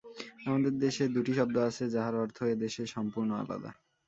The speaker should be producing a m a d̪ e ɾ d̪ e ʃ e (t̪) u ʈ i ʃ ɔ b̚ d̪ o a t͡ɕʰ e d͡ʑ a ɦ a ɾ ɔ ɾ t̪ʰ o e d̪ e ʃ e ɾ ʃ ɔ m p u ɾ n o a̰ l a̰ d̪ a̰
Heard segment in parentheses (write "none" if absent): d̪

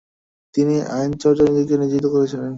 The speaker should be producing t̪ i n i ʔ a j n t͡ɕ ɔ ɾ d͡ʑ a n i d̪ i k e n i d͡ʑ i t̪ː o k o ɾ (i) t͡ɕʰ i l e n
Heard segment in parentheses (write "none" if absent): e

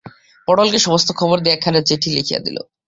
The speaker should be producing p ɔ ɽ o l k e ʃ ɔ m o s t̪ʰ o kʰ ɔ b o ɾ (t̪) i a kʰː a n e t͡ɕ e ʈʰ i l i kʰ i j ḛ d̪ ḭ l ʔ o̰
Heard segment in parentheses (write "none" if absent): d̪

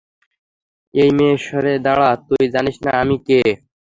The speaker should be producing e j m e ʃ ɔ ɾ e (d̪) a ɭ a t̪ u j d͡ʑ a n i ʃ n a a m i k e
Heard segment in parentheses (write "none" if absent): d̪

